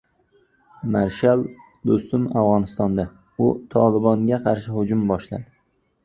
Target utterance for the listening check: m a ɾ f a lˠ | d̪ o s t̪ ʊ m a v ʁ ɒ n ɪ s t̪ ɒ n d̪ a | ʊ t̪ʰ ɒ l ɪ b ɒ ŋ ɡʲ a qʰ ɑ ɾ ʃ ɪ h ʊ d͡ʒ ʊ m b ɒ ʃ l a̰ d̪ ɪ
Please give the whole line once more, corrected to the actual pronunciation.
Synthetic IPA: m a ɾ ʃ a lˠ | d̪ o s t̪ ʊ m a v ʁ ɒ n ɪ s t̪ ɒ n d̪ a | ʊ t̪ʰ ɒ l ɪ b ɒ ŋ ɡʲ a qʰ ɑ ɾ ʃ ɪ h ʊ d͡ʒ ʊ m b ɒ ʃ l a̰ d̪ ɪ